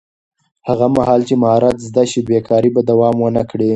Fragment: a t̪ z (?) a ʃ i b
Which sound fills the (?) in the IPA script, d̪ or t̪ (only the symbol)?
d̪